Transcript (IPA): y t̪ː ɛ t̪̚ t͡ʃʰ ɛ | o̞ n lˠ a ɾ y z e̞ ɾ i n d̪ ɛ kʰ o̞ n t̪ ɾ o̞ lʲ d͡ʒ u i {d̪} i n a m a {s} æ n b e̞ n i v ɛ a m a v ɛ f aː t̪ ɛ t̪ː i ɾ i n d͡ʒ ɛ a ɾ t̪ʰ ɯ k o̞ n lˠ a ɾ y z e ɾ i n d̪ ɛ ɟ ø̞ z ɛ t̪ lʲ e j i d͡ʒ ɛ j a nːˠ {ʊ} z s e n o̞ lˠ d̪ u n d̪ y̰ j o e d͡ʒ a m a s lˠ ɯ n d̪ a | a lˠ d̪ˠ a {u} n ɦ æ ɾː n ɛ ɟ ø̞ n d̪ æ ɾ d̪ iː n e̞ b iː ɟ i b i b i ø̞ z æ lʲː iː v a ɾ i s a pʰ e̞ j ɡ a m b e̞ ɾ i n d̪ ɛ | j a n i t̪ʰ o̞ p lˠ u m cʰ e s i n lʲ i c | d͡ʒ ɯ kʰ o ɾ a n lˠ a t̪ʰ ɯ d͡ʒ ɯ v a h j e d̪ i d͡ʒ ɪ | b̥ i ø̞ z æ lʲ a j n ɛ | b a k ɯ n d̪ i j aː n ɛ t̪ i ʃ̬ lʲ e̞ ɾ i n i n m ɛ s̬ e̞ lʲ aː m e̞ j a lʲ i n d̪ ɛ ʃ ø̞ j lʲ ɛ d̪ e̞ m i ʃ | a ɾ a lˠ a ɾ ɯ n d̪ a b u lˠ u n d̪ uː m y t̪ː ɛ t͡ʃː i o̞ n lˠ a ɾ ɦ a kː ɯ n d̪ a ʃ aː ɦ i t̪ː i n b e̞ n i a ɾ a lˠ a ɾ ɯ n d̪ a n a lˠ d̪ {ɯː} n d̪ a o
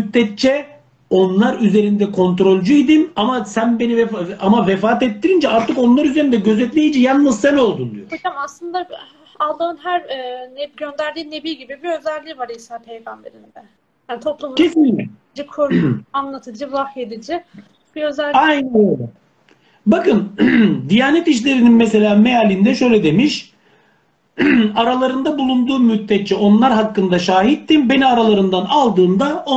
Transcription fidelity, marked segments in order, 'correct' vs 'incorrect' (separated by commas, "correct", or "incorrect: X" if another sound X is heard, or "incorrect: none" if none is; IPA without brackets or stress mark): correct, correct, incorrect: ɯ, incorrect: ɯ, correct